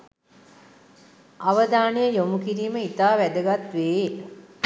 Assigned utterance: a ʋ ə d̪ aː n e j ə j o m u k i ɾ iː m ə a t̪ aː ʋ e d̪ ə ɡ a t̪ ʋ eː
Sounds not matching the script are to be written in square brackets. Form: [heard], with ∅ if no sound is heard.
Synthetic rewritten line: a ʋ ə d̪ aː n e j ə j o m u k i ɾ iː m ə [i] t̪ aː ʋ [æ] d̪ ə ɡ a t̪ ʋ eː